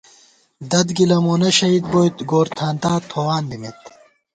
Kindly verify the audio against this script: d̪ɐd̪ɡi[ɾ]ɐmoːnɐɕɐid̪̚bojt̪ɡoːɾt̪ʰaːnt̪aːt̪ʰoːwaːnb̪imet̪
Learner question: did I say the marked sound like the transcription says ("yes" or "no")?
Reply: no